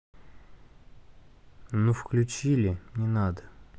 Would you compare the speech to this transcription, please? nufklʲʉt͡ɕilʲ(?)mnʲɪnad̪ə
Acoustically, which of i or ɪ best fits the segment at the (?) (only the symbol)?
ɪ